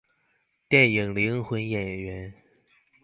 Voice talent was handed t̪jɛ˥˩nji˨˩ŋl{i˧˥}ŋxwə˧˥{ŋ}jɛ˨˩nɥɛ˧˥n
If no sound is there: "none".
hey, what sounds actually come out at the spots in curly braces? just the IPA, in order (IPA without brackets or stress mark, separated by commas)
i˧˥, n